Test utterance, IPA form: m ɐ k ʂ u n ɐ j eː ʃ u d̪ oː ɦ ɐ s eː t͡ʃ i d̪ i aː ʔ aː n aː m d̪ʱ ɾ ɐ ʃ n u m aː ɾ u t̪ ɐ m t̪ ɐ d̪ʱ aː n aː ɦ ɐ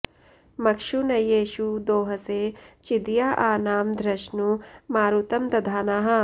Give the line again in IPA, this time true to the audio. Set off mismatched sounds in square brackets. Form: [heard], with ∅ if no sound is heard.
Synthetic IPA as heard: m ɐ k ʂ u n ɐ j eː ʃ u d̪ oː ɦ ɐ s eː t͡ʃ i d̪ [j] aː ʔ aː n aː m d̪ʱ ɾ ɐ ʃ n u m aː ɾ u t̪ ɐ m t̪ ɐ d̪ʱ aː n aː ɦ ɐ